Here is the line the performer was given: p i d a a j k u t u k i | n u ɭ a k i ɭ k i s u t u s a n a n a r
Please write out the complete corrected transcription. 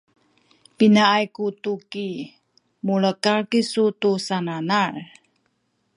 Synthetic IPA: p i n a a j k u t u k i | m u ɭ ə k a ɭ k i s u t u s a n a n a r